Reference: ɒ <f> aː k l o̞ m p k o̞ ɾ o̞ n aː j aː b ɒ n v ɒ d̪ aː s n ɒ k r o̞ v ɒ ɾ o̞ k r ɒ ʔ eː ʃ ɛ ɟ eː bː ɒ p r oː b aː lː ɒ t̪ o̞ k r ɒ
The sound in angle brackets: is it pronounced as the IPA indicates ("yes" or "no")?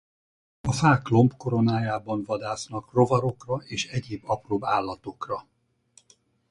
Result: yes